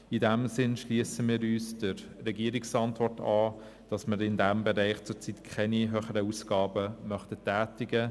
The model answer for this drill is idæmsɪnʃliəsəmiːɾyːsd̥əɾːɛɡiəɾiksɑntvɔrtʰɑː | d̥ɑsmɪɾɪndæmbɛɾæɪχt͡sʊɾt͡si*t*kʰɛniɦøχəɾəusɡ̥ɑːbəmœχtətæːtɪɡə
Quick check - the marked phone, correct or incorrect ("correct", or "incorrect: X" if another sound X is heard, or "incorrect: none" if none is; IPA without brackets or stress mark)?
correct